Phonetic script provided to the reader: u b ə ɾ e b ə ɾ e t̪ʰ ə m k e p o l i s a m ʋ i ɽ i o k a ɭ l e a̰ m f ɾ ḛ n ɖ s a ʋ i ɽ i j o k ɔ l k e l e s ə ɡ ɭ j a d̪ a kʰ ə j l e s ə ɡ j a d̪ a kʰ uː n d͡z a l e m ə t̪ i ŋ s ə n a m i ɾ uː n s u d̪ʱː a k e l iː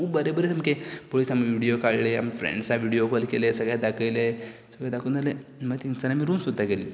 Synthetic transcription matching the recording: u b ə ɾ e b ə ɾ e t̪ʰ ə m k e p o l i s a m ʋ i ɽ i o k a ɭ l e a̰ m f ɾ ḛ ɳ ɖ s a ʋ i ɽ i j o k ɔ l k e l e s ə ɡ ɭ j a d̪ a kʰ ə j l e s ə ɡ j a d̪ a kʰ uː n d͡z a l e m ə t̪ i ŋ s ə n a m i ɾ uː n s u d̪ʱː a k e l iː